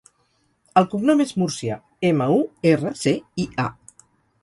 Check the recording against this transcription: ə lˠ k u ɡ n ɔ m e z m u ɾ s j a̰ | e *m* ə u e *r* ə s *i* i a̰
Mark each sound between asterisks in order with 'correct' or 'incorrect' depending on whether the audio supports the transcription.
correct, correct, incorrect: e

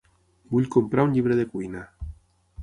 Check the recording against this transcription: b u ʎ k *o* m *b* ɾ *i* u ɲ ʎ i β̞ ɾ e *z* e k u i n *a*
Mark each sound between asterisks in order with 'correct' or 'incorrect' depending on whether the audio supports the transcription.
correct, incorrect: p, incorrect: a, incorrect: ð, correct

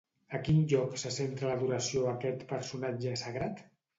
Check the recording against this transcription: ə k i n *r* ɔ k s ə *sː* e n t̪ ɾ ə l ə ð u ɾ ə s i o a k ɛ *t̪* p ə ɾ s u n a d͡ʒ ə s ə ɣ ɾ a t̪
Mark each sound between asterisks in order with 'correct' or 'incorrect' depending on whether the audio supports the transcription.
incorrect: ʎ, incorrect: s, correct

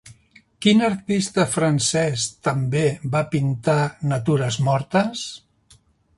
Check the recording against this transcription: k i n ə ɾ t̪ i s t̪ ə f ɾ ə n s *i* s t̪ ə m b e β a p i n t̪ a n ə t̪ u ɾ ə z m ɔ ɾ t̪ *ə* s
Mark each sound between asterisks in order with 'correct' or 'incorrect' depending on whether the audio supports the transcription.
incorrect: ɛ, correct

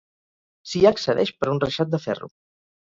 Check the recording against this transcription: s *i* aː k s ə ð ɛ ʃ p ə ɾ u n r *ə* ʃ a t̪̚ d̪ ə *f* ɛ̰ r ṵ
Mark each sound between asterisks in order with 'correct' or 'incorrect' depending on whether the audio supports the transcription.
correct, correct, correct

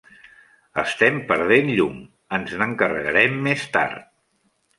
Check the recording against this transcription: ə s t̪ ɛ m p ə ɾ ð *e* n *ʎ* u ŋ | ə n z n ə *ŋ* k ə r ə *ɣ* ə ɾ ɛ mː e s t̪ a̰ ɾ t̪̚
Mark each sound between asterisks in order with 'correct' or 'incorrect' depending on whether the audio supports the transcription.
correct, correct, correct, correct

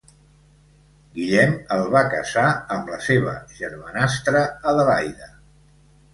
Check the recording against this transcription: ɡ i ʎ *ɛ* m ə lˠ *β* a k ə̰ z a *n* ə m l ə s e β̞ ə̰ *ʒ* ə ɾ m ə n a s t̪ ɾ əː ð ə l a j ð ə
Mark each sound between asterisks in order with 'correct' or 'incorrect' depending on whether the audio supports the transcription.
correct, correct, incorrect: none, correct

